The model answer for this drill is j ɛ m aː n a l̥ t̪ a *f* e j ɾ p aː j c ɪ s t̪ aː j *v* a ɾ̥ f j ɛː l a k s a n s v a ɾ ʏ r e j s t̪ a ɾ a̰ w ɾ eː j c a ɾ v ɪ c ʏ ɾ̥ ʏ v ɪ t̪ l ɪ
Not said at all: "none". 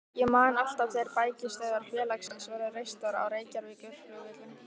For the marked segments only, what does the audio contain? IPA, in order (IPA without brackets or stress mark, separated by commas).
θ, ð